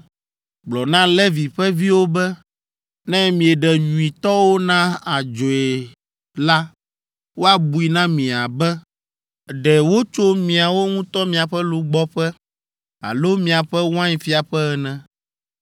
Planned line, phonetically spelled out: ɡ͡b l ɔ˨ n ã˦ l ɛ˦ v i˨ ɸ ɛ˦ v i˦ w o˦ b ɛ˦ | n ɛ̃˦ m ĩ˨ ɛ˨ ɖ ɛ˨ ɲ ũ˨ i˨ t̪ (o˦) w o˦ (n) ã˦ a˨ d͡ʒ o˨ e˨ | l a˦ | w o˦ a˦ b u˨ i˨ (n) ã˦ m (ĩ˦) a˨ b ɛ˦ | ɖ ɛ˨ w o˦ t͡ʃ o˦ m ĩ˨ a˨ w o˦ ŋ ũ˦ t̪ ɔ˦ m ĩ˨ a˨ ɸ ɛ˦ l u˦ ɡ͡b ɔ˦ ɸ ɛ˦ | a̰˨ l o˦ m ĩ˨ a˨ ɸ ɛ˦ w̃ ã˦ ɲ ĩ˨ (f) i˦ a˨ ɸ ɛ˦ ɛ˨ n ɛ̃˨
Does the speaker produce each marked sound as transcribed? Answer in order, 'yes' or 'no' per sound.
no, yes, yes, no, yes

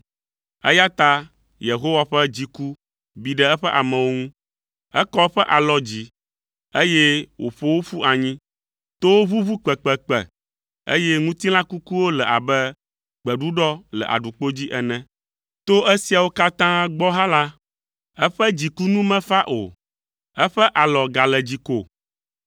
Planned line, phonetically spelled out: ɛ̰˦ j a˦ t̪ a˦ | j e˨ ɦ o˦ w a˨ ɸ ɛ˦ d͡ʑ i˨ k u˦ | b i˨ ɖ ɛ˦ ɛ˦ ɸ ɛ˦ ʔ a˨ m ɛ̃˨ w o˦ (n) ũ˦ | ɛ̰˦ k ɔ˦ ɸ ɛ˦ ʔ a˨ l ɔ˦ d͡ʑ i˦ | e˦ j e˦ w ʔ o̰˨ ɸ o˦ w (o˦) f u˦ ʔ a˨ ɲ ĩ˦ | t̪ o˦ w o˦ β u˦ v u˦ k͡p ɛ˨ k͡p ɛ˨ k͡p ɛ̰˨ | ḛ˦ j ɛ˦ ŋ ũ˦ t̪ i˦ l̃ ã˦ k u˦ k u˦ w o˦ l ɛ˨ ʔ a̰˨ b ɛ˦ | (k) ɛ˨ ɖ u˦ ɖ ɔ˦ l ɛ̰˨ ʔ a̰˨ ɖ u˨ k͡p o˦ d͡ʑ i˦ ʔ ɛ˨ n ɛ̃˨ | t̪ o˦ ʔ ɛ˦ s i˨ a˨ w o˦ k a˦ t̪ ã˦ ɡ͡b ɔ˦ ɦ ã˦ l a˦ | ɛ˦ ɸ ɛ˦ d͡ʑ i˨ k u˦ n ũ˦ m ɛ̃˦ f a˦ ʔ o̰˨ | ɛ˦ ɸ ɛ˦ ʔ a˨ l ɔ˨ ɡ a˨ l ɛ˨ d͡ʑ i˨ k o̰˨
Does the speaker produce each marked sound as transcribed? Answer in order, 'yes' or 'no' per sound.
no, yes, no

